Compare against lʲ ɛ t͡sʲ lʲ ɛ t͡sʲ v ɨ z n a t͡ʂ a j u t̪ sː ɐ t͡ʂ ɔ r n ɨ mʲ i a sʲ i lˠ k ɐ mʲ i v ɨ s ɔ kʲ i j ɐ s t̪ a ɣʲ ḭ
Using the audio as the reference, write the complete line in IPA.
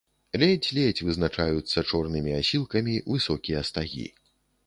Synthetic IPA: lʲ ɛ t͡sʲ lʲ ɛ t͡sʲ v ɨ z n a t͡ʂ a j u t̪ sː ɐ t͡ʂ ɔ r n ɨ mʲ i a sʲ i lˠ k ɐ mʲ i v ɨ s ɔ kʲ i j ɐ s t̪ a ɣʲ ḭ